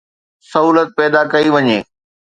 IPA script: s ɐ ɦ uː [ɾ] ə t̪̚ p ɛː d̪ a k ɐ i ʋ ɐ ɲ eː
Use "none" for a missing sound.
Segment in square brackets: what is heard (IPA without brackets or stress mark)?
l